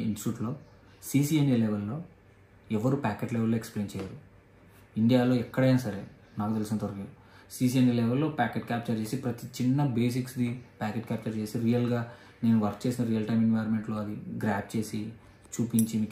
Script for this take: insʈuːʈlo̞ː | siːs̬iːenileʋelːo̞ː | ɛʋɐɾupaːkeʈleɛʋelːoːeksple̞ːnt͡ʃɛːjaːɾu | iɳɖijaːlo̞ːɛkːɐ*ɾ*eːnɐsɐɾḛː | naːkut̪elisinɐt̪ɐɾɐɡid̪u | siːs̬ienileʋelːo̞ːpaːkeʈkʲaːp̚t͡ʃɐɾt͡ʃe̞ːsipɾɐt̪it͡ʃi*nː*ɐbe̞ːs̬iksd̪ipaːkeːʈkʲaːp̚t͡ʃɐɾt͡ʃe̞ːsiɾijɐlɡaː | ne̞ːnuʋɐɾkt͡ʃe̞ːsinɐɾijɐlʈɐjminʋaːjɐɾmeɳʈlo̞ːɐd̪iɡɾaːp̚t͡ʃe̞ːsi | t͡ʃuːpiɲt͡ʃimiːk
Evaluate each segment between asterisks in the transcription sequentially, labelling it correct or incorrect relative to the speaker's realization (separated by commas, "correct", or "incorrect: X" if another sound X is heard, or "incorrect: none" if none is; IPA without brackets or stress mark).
incorrect: ɽ, correct